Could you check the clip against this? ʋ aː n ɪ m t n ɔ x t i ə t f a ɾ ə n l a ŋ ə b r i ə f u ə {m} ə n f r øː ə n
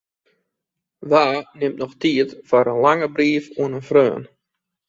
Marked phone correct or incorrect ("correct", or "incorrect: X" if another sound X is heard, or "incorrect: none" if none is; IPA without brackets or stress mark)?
incorrect: n